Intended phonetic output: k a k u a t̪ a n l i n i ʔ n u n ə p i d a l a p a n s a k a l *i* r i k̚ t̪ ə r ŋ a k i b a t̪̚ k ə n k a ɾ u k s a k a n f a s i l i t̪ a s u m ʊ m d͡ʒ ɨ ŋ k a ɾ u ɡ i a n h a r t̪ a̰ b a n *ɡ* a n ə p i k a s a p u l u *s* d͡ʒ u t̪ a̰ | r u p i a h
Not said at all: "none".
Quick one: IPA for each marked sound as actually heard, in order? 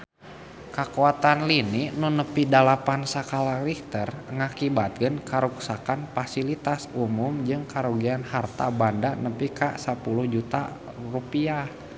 a, d, h

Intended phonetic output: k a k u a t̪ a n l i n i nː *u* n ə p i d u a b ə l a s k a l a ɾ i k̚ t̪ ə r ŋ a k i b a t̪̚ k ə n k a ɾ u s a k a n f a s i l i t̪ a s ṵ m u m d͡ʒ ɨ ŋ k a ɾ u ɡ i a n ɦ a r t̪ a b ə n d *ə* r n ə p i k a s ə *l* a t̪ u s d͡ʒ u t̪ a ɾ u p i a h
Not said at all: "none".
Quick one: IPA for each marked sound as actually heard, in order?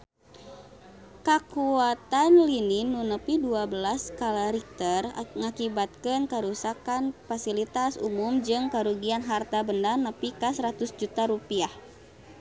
u, a, ɾ

